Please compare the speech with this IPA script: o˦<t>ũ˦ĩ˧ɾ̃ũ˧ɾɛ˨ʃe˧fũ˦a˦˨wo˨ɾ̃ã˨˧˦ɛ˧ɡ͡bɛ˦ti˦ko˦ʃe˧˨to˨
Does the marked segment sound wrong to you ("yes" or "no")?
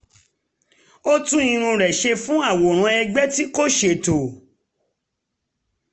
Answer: no